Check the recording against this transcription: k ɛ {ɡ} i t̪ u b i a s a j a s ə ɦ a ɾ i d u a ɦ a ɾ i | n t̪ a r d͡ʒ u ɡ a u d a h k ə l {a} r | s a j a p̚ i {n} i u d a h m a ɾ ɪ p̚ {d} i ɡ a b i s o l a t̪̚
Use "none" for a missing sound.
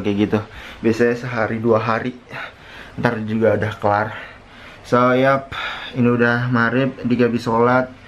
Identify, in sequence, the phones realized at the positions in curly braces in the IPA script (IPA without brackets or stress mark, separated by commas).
ɡ, a, n, d